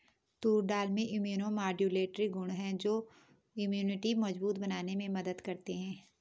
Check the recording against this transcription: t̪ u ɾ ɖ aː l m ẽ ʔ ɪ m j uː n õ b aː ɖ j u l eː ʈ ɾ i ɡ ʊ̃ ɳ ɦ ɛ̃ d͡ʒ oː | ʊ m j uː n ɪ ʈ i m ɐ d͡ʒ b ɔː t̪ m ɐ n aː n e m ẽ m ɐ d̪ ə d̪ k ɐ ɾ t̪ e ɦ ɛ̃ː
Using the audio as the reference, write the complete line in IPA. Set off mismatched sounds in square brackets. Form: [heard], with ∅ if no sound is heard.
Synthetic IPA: t̪ [uː] ɾ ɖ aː l m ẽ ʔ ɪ m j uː n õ [m] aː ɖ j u l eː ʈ ɾ i ɡ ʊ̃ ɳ ɦ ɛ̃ d͡ʒ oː | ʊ m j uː n ɪ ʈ i m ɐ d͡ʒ b [uː] t̪ [b] ɐ n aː n e m ẽ m ɐ d̪ ə d̪ k ɐ ɾ t̪ e ɦ ɛ̃ː

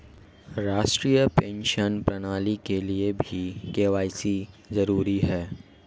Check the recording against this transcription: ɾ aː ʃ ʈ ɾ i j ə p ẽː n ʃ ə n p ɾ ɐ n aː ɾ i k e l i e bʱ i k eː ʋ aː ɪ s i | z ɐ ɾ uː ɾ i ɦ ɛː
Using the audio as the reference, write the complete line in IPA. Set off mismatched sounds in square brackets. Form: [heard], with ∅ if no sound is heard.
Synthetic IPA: ɾ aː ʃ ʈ ɾ i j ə p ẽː n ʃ ə n p ɾ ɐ n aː [l] i k e l i e bʱ i k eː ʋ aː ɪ s i | z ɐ ɾ uː ɾ i ɦ ɛː

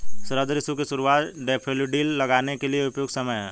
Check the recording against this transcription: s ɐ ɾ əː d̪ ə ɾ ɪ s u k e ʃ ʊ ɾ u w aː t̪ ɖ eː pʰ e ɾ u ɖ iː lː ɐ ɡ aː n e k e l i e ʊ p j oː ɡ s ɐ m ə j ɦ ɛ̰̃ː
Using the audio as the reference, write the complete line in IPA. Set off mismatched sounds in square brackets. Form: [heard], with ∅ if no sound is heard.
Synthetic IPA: s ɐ ɾ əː d̪ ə ɾ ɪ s u k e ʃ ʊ ɾ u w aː t̪ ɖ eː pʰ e [l] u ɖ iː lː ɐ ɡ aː n e k e l i e ʊ p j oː ɡ s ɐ m ə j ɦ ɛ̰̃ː

